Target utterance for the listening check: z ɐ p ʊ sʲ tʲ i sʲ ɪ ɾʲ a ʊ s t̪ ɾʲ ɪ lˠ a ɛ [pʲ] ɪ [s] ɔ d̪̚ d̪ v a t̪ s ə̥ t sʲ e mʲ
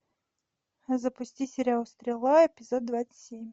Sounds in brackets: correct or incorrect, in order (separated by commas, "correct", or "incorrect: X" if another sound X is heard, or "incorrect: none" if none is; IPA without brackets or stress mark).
correct, incorrect: z